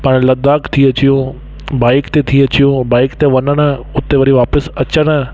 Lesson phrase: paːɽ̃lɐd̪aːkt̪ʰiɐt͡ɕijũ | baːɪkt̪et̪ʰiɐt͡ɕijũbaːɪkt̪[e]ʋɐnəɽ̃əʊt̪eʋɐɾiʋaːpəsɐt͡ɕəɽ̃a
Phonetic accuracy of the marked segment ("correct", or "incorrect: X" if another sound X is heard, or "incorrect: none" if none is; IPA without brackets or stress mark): correct